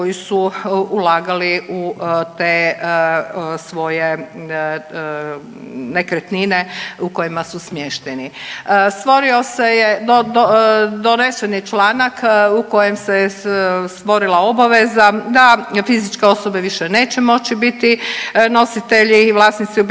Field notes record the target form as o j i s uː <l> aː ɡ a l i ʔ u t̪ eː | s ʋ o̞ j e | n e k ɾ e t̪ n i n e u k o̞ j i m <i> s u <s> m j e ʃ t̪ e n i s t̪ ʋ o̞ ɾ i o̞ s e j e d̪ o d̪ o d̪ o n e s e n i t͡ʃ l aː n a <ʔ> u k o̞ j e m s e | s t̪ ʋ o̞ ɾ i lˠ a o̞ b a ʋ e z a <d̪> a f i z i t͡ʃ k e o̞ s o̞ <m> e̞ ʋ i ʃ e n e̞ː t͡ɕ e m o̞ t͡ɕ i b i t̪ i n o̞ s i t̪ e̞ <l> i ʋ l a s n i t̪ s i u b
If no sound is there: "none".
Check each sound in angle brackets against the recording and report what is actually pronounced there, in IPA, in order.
l, a, s, k, d̪, b, ʎ

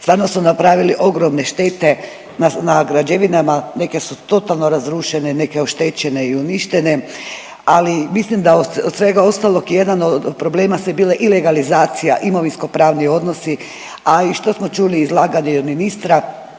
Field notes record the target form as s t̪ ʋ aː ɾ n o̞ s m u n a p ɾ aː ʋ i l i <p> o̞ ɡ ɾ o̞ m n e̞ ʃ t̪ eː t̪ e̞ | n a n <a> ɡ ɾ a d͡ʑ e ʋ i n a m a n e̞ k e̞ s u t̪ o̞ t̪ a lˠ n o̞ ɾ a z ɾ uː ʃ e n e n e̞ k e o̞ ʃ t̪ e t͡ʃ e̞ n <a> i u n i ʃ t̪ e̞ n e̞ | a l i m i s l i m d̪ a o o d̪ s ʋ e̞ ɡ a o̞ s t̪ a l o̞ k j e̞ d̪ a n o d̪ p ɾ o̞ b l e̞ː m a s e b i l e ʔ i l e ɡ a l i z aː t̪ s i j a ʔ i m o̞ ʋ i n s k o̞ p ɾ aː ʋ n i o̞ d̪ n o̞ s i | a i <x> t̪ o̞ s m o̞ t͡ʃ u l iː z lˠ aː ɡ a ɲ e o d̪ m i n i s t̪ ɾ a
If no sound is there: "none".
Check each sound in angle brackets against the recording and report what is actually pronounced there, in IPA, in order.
ʔ, a, e, ʃ

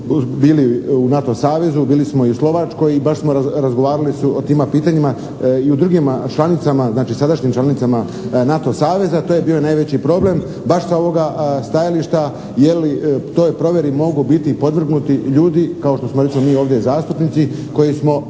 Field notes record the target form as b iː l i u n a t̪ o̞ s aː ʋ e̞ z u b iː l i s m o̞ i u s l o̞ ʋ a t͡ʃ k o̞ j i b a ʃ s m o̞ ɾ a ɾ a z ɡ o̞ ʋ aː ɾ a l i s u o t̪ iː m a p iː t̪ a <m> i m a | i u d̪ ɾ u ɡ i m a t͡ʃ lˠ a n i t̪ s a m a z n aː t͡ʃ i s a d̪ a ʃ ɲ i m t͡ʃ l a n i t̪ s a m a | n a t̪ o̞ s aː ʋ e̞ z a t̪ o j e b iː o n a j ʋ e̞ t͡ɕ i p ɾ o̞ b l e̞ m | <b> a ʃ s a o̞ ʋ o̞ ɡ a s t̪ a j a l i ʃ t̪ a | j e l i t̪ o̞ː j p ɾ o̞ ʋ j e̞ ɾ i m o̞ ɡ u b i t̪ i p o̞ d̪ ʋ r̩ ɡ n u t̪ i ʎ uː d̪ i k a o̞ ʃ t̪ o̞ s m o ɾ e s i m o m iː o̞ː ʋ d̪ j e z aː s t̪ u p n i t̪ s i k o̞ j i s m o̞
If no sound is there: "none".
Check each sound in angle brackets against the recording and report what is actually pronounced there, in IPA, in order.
ɲ, b

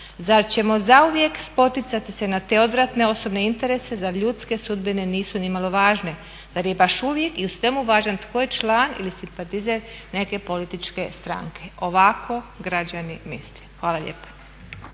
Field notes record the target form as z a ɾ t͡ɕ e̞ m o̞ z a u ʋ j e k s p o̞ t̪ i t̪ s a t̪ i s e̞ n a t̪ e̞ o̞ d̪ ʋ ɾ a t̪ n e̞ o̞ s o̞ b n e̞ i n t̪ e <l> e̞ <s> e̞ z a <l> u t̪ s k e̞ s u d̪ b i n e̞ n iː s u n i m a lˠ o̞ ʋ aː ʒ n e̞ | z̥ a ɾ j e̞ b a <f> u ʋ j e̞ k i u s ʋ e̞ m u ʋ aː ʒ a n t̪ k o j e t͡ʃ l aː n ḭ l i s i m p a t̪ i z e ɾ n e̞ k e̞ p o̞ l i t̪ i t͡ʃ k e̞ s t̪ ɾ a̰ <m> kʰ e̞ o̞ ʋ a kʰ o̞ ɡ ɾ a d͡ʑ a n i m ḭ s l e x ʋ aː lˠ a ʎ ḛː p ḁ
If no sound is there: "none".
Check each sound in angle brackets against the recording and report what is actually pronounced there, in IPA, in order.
ɾ, s, ʎ, ʃ, ŋ

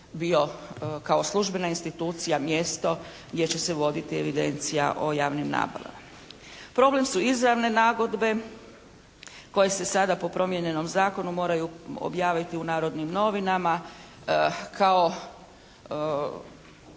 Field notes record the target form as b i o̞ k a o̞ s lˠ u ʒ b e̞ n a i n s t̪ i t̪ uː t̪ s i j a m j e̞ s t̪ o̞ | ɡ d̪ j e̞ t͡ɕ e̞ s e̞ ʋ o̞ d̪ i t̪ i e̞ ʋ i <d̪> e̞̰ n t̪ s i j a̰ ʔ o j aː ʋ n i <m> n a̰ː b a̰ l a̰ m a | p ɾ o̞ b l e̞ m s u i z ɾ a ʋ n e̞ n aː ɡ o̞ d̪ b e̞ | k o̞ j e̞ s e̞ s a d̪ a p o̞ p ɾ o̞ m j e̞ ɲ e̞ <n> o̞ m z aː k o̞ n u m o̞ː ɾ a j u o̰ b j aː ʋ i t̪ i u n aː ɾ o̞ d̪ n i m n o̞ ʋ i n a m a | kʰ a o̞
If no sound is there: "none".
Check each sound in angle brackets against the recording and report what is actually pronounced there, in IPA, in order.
d̪, m, n

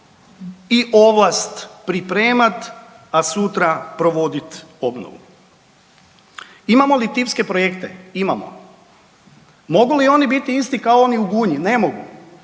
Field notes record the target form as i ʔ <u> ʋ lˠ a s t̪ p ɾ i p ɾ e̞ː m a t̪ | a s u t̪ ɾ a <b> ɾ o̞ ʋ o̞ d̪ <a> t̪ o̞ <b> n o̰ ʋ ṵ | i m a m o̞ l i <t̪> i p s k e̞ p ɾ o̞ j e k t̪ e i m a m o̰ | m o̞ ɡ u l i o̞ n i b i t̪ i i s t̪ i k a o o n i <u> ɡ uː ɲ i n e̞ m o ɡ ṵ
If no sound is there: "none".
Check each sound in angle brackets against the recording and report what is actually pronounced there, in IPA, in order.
o, p, i, b, t̪, u

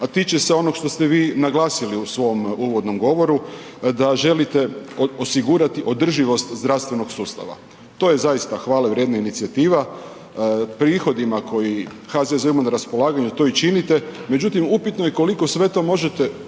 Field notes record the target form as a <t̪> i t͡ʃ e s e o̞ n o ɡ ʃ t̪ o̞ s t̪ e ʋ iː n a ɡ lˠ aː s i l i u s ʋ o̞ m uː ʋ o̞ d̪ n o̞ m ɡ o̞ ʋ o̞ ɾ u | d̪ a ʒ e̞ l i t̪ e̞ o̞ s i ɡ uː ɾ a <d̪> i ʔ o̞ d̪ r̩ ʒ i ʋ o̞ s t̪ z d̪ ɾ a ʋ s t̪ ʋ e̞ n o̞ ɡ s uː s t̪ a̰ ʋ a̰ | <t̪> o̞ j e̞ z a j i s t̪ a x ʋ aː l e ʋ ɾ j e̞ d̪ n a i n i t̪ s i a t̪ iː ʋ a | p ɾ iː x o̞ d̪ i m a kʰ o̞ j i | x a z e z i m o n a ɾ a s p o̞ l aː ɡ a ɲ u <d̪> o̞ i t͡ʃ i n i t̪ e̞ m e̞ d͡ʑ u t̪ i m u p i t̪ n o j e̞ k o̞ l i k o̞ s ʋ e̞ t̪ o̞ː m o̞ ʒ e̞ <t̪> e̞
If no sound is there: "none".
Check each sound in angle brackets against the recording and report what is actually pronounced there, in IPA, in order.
t̪, t̪, t̪, t̪, t̪

